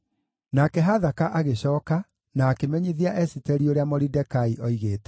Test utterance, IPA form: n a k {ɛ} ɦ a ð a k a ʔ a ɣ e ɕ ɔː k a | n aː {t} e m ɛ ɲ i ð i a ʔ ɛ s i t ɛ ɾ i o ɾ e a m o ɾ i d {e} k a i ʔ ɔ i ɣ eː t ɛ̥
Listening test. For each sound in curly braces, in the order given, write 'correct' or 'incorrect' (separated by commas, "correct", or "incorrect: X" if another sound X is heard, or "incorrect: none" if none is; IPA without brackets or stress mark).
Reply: correct, incorrect: k, incorrect: ɛ